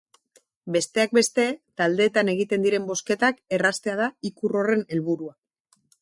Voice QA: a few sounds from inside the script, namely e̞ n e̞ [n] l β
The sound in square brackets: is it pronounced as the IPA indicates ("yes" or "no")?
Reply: no